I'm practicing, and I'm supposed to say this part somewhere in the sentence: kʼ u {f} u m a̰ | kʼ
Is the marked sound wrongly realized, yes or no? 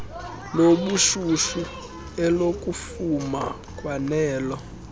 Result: no